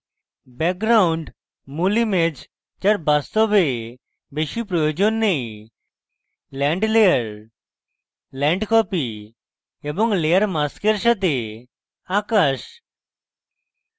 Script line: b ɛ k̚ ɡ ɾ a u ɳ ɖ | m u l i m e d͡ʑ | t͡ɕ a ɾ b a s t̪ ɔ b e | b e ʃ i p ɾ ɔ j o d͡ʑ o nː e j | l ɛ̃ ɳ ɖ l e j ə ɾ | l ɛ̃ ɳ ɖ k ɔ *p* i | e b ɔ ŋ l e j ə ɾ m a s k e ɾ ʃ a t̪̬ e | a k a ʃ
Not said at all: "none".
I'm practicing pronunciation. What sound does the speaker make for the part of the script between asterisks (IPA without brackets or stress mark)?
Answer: p